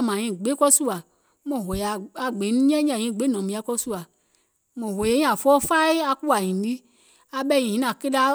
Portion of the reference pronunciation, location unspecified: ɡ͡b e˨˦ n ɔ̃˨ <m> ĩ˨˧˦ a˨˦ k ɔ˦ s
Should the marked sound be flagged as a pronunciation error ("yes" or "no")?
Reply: no